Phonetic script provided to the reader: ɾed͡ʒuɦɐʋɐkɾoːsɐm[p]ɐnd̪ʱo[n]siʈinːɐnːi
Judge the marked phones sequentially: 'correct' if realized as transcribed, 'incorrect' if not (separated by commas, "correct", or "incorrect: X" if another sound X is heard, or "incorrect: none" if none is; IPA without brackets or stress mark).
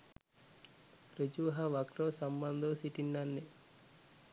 incorrect: b, incorrect: none